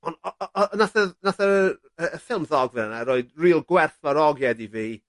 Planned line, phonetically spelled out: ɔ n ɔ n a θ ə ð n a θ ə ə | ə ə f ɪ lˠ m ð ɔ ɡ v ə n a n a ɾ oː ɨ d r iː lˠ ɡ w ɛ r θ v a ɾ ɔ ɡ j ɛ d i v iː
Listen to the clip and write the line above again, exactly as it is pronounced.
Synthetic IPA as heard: ɔ n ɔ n a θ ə ð n a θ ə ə | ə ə f ɪ lˠ m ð ɔ ɡ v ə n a n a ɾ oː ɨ d r iː lˠ ɡ w ɛ r θ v a ɾ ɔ ɡ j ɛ d i v iː